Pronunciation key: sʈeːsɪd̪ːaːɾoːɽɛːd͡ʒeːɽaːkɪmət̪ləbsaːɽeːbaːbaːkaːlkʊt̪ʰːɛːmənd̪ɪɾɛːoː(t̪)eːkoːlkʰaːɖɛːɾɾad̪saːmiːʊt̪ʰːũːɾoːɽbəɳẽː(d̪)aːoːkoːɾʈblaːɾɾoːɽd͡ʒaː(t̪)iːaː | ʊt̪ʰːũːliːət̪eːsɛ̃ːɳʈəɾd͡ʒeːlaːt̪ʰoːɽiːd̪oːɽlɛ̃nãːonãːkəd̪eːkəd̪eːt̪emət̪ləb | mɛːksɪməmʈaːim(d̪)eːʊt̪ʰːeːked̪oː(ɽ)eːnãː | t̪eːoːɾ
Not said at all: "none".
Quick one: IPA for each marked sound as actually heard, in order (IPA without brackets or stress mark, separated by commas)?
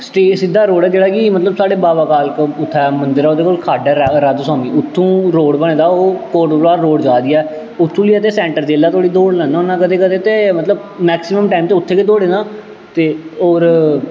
d̪, d̪, d̪, t̪, ɽ